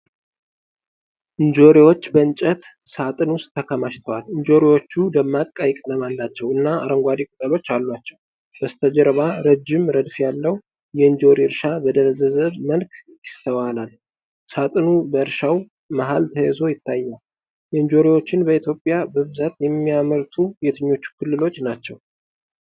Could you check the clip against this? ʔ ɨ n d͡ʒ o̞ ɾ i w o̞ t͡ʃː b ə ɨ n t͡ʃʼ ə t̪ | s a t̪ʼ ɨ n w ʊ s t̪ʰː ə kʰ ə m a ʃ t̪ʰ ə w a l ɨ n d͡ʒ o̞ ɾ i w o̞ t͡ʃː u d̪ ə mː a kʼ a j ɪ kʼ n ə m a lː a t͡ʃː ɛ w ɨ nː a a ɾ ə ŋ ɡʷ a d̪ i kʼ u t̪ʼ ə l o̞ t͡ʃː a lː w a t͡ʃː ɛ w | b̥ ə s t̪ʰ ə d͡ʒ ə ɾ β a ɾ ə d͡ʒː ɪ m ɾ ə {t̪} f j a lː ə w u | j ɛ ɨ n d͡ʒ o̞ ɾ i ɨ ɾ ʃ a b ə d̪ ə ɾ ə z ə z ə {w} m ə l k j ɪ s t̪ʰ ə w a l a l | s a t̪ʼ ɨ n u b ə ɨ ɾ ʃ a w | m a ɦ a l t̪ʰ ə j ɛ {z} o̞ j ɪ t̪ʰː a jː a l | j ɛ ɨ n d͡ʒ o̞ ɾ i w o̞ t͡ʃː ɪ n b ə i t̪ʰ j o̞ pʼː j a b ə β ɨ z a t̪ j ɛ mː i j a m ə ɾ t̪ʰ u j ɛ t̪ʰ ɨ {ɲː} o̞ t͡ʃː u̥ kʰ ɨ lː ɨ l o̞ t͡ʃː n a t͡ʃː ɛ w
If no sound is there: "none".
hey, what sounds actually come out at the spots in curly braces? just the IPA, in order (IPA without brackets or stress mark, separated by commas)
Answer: d̪, β, z, ɲː